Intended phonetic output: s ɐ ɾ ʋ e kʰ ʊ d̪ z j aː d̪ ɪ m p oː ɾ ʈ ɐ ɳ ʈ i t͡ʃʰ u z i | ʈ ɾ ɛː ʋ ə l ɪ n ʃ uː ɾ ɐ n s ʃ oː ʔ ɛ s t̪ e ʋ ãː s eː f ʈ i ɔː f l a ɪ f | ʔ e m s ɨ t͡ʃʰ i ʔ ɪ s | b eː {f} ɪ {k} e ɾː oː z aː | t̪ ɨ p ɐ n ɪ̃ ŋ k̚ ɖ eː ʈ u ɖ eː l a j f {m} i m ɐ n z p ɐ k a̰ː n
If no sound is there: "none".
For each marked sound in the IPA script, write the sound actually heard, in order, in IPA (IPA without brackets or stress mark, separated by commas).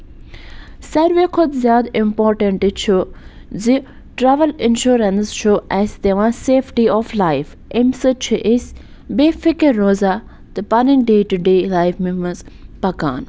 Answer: f, k, m